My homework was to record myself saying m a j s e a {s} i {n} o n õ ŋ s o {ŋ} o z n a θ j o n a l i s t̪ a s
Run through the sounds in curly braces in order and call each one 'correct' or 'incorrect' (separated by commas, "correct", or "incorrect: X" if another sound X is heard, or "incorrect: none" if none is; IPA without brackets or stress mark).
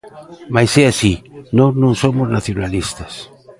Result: correct, correct, incorrect: m